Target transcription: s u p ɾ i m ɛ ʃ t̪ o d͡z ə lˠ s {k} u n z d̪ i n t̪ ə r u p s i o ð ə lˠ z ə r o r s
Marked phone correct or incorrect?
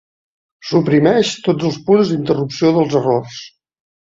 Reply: incorrect